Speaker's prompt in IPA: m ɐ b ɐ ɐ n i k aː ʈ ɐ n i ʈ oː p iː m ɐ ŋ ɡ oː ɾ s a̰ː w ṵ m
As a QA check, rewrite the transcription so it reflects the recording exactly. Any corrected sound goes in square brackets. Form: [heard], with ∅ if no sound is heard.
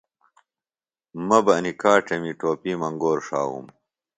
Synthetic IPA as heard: m ɐ b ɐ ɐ n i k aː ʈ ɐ [m] i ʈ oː p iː m ɐ ŋ ɡ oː ɾ [ʂ] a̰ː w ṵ m

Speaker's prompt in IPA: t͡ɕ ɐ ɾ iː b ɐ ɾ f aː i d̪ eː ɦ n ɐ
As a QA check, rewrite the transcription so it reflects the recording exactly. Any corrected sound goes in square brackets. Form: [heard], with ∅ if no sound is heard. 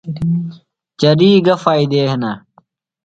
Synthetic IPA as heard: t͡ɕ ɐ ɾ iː [ɡ] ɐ [∅] f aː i d̪ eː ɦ n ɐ

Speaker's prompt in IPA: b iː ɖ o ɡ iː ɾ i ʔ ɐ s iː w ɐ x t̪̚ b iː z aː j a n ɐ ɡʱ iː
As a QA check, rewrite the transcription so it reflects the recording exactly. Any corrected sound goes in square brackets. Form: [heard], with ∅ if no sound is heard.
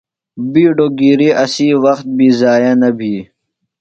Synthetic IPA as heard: b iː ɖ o ɡ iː ɾ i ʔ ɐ s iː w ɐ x t̪̚ b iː z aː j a n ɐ [bʱ] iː

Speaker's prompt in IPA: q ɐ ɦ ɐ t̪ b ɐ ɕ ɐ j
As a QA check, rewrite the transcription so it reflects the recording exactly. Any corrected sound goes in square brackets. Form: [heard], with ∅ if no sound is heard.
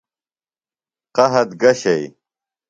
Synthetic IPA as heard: q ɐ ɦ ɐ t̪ [ɡ] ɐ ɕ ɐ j

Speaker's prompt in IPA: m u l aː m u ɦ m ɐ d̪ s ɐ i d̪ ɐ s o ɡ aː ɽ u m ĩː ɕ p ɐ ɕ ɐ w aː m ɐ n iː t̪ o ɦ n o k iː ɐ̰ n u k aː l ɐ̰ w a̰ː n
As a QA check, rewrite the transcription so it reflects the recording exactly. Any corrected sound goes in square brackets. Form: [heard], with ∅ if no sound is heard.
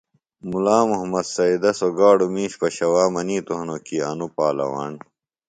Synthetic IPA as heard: m u l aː m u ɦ m ɐ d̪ s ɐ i d̪ ɐ s o ɡ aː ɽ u m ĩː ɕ p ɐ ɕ ɐ w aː m ɐ n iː t̪ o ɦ n o k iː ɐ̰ n u [p] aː l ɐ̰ w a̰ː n

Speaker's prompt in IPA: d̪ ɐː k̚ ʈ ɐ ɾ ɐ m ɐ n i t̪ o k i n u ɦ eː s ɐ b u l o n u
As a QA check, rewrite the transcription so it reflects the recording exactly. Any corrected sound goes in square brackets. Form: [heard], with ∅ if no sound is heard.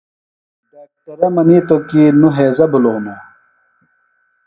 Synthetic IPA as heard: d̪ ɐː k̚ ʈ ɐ ɾ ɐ m ɐ n i t̪ o k i n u ɦ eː [z] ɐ b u l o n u

